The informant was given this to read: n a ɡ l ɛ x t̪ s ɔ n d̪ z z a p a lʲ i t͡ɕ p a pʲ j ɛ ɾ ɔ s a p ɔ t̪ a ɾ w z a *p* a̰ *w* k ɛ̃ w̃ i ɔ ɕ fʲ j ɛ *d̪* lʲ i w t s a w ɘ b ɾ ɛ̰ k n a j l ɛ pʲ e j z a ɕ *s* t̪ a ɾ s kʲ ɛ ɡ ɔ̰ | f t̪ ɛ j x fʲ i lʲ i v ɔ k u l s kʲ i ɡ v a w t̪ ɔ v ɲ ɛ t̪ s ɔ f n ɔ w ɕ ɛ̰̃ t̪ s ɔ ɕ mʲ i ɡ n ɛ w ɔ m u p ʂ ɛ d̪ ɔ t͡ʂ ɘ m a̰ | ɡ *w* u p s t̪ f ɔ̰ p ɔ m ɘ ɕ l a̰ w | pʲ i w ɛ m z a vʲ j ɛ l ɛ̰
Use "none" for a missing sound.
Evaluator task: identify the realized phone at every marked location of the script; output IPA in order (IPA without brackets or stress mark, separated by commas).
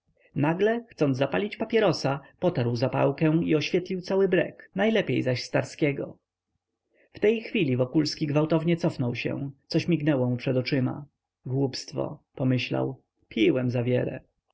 p, w, t̪, s, w